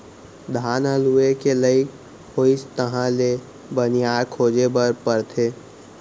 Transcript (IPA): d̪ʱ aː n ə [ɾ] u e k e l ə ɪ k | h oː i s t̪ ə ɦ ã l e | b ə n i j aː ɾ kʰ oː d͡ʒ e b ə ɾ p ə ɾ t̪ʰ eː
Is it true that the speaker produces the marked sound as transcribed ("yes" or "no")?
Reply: no